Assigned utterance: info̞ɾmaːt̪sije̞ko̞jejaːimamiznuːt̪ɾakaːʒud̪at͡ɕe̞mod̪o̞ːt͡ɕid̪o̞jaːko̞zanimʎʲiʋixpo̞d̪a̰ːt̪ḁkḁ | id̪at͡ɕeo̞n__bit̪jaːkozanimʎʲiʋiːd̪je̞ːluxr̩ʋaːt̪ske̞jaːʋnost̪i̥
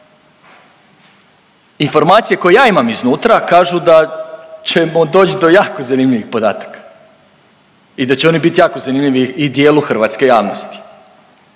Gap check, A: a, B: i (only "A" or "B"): B